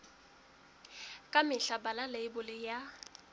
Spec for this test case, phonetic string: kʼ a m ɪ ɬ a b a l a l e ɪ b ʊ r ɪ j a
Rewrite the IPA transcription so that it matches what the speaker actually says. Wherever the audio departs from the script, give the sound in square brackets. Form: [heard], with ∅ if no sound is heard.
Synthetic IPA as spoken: kʼ a m ɪ ɬ a b a l a l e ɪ b ʊ [l] ɪ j a